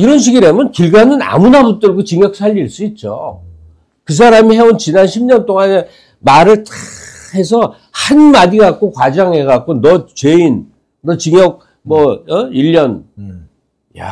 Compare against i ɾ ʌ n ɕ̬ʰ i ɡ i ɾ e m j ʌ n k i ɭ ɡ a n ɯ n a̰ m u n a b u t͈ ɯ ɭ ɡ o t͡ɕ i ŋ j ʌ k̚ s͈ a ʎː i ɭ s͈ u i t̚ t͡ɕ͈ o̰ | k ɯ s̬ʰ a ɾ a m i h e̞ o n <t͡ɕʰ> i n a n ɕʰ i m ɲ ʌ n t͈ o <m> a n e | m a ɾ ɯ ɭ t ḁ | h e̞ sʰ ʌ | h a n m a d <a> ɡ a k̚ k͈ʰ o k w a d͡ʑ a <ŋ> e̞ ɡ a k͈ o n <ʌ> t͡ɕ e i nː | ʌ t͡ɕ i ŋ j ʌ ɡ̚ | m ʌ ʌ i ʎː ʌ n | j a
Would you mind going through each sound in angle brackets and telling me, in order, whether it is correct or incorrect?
incorrect: t͡ɕ, incorrect: ŋ, incorrect: i, correct, correct

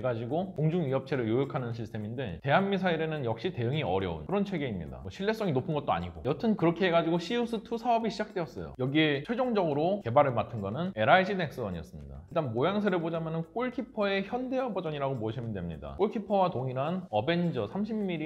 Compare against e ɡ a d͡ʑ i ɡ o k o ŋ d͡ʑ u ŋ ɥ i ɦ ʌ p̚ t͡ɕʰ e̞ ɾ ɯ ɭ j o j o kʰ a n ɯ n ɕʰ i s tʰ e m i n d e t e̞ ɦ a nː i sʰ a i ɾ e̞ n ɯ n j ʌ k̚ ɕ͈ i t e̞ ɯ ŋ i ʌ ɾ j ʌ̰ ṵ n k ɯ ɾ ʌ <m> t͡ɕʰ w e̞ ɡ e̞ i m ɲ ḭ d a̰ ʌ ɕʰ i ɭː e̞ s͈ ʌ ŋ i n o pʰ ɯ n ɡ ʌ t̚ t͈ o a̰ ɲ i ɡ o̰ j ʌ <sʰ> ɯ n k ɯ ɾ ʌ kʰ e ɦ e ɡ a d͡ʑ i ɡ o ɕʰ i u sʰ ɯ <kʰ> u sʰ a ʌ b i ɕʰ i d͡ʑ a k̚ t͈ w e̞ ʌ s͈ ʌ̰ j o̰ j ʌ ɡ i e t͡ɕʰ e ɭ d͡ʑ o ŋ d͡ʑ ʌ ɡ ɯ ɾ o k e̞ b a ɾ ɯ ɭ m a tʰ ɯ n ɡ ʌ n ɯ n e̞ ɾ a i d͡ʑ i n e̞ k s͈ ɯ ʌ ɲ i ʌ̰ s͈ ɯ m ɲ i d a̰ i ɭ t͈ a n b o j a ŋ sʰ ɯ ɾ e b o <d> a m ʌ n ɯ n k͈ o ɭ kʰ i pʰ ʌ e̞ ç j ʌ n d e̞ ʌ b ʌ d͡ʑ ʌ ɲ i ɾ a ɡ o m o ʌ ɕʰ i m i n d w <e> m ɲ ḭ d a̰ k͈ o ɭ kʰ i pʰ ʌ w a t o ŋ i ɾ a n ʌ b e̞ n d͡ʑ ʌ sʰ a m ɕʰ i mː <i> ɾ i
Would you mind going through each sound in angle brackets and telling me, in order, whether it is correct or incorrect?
incorrect: n, incorrect: tʰ, incorrect: tʰ, incorrect: d͡ʑ, correct, correct

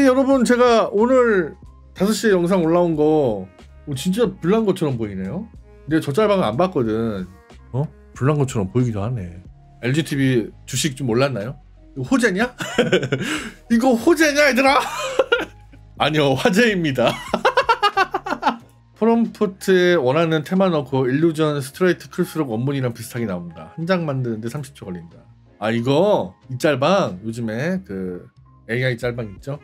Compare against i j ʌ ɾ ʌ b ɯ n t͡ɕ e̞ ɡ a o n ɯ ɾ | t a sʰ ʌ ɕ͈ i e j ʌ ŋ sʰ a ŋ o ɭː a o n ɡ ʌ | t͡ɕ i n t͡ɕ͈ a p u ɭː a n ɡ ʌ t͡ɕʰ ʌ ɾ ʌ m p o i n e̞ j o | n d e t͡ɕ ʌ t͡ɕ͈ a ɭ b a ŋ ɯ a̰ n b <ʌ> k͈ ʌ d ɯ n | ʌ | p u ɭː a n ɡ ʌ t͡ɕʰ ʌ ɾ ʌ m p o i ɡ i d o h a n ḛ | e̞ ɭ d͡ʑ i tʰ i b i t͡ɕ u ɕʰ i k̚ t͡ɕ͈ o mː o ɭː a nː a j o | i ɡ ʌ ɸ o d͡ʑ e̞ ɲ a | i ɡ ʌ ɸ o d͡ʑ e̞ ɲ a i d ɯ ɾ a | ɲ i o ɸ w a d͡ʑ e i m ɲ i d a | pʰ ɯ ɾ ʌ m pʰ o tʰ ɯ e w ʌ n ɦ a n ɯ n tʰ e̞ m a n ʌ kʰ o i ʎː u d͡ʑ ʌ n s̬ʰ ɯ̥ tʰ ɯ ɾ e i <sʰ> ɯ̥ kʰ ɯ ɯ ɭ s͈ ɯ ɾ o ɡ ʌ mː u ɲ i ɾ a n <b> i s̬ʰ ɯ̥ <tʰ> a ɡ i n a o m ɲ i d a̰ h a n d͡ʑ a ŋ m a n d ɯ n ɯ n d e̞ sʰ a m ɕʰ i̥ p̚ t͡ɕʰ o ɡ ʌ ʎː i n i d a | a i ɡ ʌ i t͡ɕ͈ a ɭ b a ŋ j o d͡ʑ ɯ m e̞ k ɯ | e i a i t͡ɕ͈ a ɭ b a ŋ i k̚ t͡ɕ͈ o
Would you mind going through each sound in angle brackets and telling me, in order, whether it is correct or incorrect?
incorrect: a, incorrect: tʰ, incorrect: p, correct

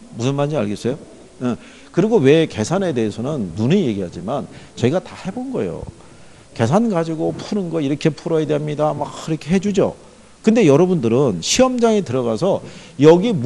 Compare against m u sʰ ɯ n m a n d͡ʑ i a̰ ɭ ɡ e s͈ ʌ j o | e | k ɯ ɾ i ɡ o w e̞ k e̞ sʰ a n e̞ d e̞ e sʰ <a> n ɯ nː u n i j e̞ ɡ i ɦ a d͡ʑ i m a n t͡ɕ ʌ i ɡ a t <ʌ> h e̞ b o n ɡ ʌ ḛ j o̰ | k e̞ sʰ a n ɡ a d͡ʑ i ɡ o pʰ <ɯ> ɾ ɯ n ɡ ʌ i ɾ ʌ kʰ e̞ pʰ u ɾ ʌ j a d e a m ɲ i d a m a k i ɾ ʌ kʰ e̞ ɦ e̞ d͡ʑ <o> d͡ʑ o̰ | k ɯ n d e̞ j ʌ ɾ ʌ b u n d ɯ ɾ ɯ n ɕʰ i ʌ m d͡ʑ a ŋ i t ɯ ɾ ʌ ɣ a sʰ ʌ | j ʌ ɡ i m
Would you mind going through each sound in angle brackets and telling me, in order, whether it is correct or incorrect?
incorrect: ʌ, incorrect: a, incorrect: u, incorrect: u

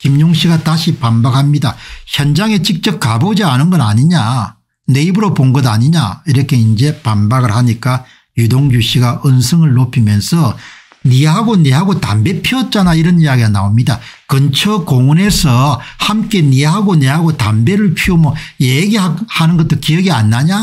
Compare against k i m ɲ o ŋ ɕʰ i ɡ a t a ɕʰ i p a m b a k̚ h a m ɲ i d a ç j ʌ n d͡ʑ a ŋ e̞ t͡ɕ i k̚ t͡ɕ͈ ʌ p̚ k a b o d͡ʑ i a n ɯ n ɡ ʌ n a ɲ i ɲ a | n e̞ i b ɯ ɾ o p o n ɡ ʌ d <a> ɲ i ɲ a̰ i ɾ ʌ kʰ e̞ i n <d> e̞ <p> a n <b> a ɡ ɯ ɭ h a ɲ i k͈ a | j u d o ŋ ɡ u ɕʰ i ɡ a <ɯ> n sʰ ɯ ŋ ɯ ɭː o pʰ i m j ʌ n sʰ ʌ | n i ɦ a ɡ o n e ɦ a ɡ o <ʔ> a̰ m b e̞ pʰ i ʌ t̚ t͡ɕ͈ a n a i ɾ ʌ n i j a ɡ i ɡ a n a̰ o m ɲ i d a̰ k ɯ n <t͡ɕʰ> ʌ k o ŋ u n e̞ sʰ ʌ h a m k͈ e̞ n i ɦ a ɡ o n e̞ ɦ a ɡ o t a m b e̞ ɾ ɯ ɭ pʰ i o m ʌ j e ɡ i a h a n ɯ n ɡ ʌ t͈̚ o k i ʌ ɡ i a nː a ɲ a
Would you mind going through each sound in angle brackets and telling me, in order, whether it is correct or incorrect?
correct, incorrect: d͡ʑ, correct, correct, correct, incorrect: t, correct

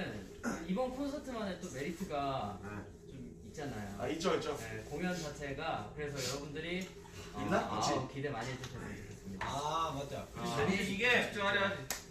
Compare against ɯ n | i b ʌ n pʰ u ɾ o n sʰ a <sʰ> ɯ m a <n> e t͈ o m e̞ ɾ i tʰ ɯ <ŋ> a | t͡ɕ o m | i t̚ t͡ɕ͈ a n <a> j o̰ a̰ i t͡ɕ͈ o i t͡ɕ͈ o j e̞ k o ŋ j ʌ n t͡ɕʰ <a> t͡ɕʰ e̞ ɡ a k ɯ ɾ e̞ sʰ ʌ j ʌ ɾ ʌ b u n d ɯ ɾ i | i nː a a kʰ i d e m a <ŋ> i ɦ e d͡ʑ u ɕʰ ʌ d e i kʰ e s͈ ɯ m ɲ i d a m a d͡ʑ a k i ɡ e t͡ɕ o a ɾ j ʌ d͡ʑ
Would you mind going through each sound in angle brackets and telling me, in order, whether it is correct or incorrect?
incorrect: tʰ, correct, incorrect: ɡ, correct, correct, incorrect: ɲ

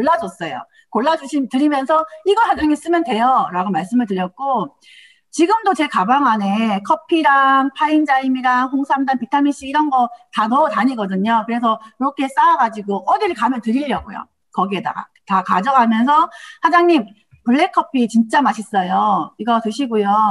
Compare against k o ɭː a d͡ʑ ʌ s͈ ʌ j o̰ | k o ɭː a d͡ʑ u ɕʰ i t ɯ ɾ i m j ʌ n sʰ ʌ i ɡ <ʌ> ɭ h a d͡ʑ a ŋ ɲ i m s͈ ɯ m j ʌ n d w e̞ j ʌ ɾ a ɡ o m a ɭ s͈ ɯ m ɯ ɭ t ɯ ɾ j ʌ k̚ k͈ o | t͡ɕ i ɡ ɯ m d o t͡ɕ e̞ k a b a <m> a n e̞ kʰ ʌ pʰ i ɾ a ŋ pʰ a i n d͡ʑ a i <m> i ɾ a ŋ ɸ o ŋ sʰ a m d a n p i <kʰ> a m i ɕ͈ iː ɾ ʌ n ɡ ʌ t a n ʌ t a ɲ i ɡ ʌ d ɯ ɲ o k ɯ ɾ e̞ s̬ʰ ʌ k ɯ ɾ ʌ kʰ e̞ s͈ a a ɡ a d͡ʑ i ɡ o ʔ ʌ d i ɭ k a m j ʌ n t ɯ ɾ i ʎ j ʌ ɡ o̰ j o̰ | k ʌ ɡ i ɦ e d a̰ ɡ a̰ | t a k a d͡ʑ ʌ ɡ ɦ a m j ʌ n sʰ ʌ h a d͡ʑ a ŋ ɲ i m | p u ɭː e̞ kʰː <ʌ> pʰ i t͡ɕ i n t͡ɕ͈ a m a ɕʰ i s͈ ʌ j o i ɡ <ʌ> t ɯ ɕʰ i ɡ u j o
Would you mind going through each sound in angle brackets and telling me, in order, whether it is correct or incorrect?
correct, incorrect: ŋ, correct, incorrect: tʰ, correct, correct

